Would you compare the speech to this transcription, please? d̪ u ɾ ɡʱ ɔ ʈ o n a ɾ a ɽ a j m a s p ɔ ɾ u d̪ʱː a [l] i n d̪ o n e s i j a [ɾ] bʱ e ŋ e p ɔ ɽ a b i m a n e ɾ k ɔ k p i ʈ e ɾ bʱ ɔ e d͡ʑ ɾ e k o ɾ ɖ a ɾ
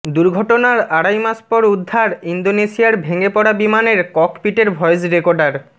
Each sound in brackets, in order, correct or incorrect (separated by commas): incorrect, correct